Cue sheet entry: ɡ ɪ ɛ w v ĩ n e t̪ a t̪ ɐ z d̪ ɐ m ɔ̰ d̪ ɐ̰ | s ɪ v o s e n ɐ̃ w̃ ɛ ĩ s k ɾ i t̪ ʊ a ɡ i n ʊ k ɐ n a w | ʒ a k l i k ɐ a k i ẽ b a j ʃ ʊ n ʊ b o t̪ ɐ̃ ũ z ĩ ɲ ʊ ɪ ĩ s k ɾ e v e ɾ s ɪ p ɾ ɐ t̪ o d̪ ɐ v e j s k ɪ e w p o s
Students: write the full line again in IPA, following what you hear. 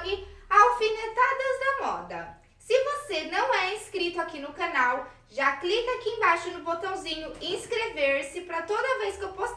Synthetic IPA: ɡ ɪ a w f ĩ n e t̪ a d̪ ɐ z d̪ ɐ m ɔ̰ d̪ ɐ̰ | s ɪ v o s e n ɐ̃ w̃ ɛ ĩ s k ɾ i t̪ ʊ a k i n ʊ k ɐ n a w | ʒ a k l i k ɐ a k i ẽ b a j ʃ ʊ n ʊ b o t̪ ɐ̃ w̃ z ĩ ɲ ʊ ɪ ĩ s k ɾ e v e ɾ s ɪ p ɾ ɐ t̪ o d̪ ɐ v e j s k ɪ e w p o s